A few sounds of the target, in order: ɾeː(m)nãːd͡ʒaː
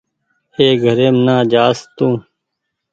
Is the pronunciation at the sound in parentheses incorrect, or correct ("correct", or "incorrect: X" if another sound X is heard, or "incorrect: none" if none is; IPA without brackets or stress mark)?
correct